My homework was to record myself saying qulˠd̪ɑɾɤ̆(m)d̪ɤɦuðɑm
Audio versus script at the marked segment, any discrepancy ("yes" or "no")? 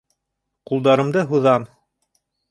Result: no